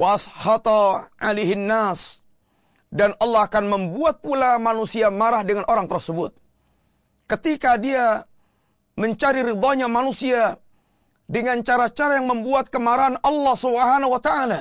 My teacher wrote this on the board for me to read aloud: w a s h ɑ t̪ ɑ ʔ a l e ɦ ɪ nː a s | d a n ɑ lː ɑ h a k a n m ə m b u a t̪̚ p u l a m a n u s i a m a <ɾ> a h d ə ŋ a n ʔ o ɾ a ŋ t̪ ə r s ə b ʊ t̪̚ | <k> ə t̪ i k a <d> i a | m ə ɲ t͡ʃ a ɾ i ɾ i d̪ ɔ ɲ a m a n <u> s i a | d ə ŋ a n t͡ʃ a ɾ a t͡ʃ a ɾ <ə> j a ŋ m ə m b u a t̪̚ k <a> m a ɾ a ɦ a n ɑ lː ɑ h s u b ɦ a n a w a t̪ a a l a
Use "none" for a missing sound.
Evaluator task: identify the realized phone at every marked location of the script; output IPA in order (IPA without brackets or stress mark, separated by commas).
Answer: ɾ, k, d, u, a, ə